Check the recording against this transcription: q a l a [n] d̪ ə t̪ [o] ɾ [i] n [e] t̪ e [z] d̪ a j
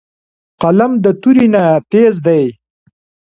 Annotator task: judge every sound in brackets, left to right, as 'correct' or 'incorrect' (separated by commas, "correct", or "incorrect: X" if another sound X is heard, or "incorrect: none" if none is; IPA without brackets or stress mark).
incorrect: m, incorrect: u, correct, incorrect: a, correct